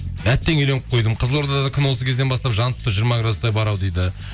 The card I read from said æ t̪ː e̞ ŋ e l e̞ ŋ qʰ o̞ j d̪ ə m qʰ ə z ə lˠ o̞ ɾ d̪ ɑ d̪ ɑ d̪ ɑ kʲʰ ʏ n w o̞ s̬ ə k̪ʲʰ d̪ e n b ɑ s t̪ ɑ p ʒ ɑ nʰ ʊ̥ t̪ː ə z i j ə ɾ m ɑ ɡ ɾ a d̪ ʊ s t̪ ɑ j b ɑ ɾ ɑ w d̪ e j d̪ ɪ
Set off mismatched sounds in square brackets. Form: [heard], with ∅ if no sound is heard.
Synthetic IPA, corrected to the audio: æ t̪ː e̞ ŋ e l e̞ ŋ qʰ o̞ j d̪ ə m qʰ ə z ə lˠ o̞ ɾ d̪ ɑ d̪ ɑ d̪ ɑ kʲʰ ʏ n w o̞ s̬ ə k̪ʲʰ d̪ e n b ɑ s t̪ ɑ p ʒ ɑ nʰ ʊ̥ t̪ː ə [ʒ] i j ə ɾ m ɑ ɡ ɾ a d̪ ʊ s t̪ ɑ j b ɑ ɾ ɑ w d̪ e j d̪ ɪ